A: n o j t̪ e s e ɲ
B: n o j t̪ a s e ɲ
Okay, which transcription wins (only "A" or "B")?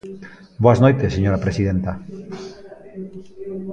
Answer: A